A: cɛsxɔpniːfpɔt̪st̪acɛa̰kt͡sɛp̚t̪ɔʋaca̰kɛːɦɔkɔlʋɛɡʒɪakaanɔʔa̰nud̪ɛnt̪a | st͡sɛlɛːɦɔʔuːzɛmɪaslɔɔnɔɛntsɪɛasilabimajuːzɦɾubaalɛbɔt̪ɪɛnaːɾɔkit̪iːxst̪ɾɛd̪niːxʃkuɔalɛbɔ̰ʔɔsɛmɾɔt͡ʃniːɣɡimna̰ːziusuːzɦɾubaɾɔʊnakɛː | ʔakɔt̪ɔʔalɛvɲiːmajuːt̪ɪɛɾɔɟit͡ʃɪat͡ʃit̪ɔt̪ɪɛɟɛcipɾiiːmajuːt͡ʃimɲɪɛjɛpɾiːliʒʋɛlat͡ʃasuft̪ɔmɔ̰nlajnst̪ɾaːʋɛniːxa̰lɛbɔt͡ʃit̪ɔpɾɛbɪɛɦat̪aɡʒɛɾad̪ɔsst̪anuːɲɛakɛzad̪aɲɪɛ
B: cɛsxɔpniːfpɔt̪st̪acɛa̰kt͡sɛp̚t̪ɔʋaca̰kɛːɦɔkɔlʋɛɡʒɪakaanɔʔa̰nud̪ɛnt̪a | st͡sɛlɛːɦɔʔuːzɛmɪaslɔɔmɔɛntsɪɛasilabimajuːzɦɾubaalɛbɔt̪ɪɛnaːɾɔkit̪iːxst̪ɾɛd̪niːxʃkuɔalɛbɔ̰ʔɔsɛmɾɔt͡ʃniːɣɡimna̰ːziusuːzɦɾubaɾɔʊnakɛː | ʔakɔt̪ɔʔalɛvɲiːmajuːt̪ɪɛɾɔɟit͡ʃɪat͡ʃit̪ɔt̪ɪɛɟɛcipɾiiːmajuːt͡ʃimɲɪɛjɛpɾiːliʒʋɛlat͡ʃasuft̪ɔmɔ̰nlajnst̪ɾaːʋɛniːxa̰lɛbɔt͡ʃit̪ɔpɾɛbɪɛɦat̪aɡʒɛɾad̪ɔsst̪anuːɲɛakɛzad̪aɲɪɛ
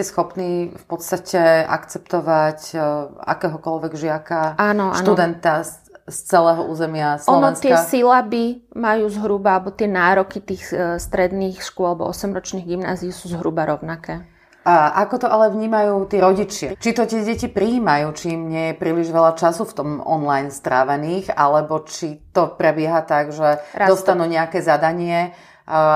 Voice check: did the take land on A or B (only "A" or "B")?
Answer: A